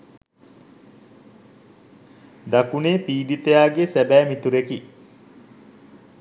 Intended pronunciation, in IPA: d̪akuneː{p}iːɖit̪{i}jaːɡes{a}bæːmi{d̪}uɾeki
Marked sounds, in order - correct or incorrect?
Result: correct, incorrect, incorrect, incorrect

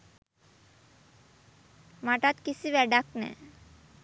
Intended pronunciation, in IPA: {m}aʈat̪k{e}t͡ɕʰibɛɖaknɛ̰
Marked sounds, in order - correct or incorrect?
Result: correct, incorrect

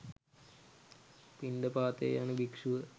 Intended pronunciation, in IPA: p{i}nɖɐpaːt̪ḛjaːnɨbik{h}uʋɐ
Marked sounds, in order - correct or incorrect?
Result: correct, incorrect

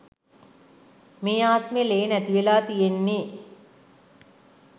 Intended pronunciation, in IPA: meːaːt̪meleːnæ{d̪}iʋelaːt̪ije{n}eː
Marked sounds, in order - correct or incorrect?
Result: incorrect, incorrect

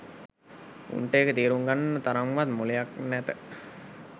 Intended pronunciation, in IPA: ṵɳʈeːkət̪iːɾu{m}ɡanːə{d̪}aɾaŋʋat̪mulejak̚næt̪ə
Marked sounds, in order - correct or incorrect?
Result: incorrect, incorrect

